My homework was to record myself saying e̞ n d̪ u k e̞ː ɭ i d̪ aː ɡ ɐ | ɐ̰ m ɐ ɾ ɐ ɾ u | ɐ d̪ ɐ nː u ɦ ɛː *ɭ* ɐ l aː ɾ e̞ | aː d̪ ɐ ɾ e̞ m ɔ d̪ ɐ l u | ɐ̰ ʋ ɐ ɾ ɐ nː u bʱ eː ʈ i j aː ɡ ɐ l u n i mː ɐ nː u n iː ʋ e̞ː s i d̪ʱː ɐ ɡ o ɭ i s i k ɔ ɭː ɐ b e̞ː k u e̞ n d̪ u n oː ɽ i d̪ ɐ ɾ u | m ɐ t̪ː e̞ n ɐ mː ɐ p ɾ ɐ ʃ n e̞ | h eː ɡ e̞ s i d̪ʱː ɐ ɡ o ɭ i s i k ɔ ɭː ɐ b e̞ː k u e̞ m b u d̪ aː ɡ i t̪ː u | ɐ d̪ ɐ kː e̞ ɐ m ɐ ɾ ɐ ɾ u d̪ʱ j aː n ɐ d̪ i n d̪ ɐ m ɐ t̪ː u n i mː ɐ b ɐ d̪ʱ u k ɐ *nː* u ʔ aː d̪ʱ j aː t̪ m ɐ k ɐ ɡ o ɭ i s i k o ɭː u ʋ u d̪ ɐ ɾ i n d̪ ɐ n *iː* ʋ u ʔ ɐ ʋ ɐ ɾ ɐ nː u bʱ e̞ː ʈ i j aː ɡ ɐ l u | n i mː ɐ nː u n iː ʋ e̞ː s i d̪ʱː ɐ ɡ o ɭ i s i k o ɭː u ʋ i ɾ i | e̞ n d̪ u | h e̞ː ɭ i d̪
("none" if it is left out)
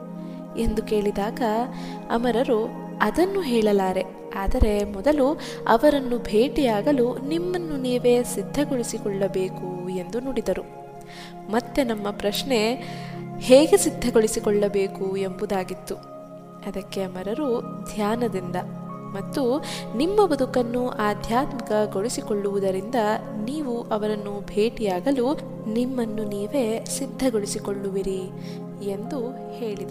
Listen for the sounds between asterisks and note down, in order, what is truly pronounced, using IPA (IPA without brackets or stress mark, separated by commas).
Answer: ɭ, nː, iː